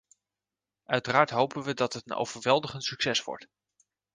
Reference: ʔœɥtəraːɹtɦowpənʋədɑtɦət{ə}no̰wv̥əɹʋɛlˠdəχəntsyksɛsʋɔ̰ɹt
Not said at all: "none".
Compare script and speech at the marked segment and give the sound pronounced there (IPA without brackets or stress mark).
ə